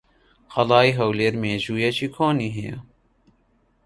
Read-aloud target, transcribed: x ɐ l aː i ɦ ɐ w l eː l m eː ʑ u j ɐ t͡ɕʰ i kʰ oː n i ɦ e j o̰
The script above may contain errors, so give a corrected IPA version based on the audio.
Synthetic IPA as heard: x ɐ l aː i ɦ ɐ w l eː ɾ m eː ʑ u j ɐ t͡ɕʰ i kʰ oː n i ɦ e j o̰

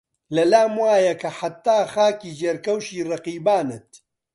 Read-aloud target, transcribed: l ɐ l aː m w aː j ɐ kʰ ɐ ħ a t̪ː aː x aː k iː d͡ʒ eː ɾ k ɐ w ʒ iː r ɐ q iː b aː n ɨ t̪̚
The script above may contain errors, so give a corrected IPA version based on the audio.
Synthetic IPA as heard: l ɐ l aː m w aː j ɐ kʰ ɐ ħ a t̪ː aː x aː k iː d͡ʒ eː ɾ k ɐ w ʃ iː r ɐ q iː b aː n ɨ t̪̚

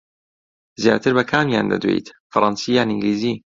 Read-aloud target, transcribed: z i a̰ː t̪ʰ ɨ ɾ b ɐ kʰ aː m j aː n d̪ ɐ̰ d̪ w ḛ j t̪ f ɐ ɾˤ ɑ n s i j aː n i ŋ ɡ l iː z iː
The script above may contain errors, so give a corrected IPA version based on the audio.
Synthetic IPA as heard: z j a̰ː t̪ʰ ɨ ɾ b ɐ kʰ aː m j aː n d̪ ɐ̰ d̪ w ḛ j t̪ f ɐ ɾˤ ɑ n s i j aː n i ŋ ɡ l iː z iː

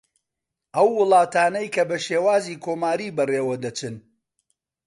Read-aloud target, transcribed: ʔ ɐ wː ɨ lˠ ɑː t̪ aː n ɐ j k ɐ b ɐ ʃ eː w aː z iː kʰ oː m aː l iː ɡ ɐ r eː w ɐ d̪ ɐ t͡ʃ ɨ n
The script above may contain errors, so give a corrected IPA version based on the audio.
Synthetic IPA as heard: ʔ ɐ wː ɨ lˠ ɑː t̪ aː n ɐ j k ɐ b ɐ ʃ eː w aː z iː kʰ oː m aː ɾ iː b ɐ r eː w ɐ d̪ ɐ t͡ʃ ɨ n

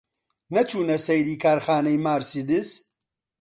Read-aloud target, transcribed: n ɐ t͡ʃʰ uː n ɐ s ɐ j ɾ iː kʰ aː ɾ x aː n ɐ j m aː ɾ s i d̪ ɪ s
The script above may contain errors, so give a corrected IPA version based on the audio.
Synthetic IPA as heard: n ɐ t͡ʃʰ uː n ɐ s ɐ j ɾ iː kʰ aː ɾ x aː n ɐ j m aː ɾ s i d̪ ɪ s

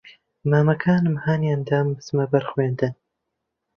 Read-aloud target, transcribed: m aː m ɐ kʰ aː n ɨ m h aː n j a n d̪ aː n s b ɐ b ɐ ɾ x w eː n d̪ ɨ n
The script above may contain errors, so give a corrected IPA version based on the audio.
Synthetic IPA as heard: m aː m ɐ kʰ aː n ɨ m h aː n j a n d̪ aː m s m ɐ b ɐ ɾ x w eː n d̪ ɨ n

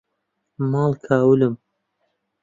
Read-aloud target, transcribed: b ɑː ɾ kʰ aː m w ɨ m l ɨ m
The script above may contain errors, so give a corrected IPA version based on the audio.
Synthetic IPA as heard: m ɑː l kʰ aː w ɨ l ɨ m

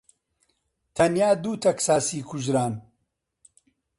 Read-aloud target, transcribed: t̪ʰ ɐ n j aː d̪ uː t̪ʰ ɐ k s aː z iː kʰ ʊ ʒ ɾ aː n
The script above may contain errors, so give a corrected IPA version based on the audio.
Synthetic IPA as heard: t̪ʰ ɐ n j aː d̪ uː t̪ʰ ɐ k s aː s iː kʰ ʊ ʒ ɾ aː n

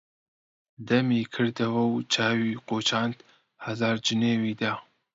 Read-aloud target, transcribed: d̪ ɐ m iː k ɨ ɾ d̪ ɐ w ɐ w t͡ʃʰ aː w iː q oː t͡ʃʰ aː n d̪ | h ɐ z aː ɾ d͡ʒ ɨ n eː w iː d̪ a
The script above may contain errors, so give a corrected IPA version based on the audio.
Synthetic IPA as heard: d̪ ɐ m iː kʰ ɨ ɾ d̪ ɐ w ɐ w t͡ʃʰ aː w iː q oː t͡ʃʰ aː n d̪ | h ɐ z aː ɾ d͡ʒ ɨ n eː w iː d̪ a

